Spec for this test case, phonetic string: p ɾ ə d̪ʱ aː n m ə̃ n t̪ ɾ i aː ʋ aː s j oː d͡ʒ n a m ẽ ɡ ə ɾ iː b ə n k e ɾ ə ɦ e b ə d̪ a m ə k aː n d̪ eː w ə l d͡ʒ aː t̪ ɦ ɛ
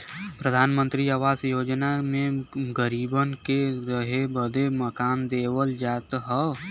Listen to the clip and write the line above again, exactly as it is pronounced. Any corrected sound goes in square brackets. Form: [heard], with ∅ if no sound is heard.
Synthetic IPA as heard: p ɾ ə d̪ʱ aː n m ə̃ n t̪ ɾ i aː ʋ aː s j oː d͡ʒ n a m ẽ ɡ ə ɾ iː b ə n k e ɾ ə ɦ e b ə d̪ [e] m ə k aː n d̪ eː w ə l d͡ʒ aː t̪ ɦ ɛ